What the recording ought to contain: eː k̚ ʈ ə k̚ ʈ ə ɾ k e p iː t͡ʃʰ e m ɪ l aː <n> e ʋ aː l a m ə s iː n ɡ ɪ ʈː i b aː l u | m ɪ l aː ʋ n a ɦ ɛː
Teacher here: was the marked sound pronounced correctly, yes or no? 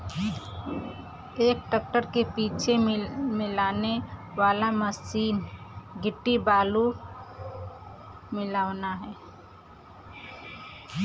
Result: yes